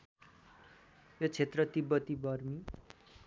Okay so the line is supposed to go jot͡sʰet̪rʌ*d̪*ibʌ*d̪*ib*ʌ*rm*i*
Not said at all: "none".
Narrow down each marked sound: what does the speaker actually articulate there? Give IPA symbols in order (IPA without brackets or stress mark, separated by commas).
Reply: t̪, t̪, ʌ, i